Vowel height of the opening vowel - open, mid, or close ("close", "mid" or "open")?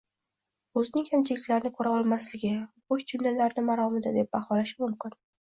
mid